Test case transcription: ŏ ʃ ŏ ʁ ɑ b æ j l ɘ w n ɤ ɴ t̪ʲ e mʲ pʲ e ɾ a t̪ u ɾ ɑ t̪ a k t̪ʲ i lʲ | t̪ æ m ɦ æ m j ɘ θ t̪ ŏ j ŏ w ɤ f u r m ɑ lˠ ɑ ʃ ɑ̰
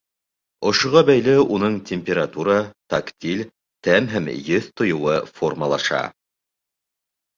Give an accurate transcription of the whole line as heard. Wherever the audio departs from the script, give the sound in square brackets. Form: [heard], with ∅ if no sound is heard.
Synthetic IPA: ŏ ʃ ŏ ʁ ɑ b æ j l ɘ [u] n ɤ ɴ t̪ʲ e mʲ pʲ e ɾ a t̪ u ɾ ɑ t̪ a k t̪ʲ i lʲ | t̪ æ m ɦ æ m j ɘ θ t̪ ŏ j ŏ w ɤ f [o] r m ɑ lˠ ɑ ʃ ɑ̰